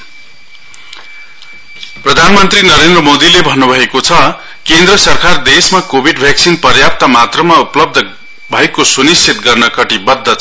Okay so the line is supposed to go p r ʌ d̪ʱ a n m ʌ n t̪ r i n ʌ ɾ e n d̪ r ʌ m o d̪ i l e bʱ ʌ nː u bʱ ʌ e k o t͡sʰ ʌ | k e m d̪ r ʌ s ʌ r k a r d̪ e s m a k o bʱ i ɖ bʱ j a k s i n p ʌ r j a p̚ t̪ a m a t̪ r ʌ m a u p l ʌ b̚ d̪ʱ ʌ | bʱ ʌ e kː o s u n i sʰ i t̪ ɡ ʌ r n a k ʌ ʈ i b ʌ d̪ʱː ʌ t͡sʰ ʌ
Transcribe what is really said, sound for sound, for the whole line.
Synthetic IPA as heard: p r ʌ d̪ʱ a n m ʌ n t̪ r i n ʌ ɾ e n d̪ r ʌ m o d̪ i l e bʱ ʌ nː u bʱ ʌ e k o t͡sʰ ʌ | k e n d̪ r ʌ s ʌ r k a r d̪ e s m a k o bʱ i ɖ bʱ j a k s i n p ʌ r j a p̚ t̪ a m a t̪ r ʌ m a u p l ʌ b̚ d̪ʱ ʌ | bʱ ʌ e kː o s u n i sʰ i t̪ ɡ ʌ r n ʌ k ʌ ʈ i b ʌ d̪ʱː ʌ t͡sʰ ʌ